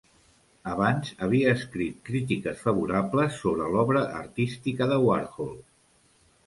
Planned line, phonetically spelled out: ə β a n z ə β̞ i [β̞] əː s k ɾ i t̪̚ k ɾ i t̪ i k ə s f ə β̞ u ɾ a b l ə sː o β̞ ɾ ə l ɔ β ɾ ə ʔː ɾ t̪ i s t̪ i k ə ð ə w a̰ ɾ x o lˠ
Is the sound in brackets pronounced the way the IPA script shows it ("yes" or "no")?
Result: no